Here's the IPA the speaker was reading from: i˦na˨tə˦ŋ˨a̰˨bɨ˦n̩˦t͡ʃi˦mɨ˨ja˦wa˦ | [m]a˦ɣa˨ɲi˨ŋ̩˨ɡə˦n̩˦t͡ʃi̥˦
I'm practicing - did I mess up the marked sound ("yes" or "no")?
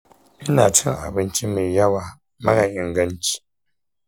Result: no